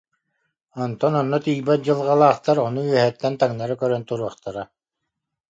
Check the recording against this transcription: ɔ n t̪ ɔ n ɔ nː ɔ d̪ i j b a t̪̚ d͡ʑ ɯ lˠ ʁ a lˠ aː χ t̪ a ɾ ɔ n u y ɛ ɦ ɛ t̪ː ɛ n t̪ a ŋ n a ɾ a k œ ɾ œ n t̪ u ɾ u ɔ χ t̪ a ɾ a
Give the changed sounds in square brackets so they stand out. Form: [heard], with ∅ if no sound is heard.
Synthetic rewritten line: ɔ n t̪ ɔ n ɔ nː ɔ [t̪] i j b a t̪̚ d͡ʑ ɯ lˠ ʁ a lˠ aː χ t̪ a ɾ ɔ n u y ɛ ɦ ɛ t̪ː ɛ n t̪ a ŋ n a ɾ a k œ ɾ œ n t̪ u ɾ u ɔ χ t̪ a ɾ a